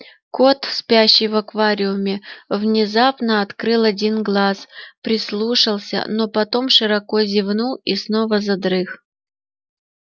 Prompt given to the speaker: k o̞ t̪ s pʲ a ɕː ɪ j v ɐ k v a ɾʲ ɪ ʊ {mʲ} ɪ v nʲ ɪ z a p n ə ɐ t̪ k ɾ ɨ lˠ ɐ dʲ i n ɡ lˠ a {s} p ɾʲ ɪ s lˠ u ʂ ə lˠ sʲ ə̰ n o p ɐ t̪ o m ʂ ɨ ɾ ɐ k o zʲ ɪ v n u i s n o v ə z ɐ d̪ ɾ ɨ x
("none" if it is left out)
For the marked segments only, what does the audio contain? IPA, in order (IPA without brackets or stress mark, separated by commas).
mʲ, s